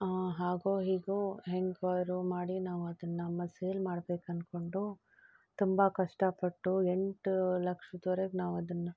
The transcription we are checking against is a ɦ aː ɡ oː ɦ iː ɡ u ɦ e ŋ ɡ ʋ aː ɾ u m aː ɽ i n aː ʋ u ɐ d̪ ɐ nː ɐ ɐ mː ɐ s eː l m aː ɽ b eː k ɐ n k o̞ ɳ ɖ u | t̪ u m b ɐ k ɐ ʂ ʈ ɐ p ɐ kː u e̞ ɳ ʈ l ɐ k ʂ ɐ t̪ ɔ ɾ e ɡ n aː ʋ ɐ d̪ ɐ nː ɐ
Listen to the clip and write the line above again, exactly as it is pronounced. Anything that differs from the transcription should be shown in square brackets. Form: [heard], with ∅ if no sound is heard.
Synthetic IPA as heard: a ɦ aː ɡ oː ɦ iː ɡ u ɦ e ŋ ɡ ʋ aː ɾ u m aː ɽ i n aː ʋ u ɐ d̪ ɐ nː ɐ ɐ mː ɐ s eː l m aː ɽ b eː k ɐ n k o̞ ɳ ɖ u | t̪ u m b ɐ k ɐ ʂ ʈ ɐ p ɐ [ʈː] u e̞ ɳ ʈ l ɐ k ʂ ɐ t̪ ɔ ɾ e ɡ n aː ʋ ɐ d̪ ɐ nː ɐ